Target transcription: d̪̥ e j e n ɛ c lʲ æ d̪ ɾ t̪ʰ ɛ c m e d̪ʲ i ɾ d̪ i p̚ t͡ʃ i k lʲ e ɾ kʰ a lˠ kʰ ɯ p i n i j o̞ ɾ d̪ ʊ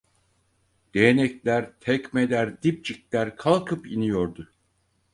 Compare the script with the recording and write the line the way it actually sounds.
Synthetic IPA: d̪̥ e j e n ɛ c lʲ æ ɾ t̪ʰ ɛ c m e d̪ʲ æ ɾ d̪ i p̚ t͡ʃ i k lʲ æ ɾ kʰ a lˠ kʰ ɯ p i n i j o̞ ɾ d̪ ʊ

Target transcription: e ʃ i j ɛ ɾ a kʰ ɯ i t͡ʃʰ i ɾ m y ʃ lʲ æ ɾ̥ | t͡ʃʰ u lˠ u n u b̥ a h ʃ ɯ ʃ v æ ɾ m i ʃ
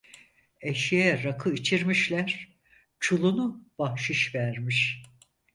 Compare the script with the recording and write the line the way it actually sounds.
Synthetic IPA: e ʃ i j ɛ ɾ a kʰ ɯ i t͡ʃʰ i ɾ m i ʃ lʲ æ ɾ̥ | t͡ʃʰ u lˠ u n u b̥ a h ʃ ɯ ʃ v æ ɾ m i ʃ

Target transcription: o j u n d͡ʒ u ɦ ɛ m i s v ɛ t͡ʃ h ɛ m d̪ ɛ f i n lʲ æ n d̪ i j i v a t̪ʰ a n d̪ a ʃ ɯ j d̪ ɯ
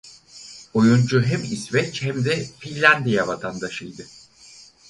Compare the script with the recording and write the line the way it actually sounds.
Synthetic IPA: o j u n d͡ʒ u ɦ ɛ m i s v ɛ t͡ʃ h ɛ m d̪ ɛ f i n lʲ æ n d̪ i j a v a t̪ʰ a n d̪ a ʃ ɯ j d̪ ɯ

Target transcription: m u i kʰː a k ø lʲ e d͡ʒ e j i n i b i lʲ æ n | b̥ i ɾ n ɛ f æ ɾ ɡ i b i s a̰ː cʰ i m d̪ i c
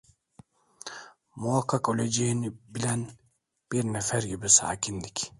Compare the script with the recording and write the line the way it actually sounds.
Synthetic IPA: m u a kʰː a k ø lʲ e d͡ʒ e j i n i b i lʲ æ n | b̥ i ɾ n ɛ f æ ɾ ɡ i b i s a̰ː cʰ i n d̪ i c

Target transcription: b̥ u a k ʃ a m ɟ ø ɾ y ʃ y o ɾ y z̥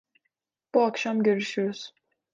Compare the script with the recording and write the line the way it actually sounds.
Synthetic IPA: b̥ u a k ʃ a m ɟ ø ɾ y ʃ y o ɾ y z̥

